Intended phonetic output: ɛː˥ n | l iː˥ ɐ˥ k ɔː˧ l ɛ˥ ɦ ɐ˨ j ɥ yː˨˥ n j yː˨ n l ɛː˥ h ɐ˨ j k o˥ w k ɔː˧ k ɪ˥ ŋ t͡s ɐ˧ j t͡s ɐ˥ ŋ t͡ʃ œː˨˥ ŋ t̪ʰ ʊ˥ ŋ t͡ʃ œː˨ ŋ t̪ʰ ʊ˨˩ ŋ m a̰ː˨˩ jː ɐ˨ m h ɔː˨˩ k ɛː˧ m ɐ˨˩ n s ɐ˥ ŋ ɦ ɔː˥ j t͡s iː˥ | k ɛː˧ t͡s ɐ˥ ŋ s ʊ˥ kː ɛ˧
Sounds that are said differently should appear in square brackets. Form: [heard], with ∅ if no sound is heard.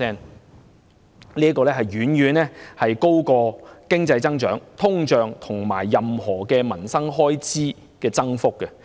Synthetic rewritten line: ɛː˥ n | l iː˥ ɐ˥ k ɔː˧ l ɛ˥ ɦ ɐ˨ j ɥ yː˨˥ n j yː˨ n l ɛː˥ h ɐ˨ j k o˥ w k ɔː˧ k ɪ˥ ŋ t͡s ɐ˧ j t͡s ɐ˥ ŋ t͡ʃ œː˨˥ ŋ t̪ʰ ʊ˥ ŋ t͡ʃ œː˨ ŋ t̪ʰ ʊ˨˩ ŋ m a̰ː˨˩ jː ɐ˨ m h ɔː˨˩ k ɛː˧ m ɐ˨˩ n s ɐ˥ ŋ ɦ ɔː˥ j t͡s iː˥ | k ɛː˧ t͡s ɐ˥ ŋ [f] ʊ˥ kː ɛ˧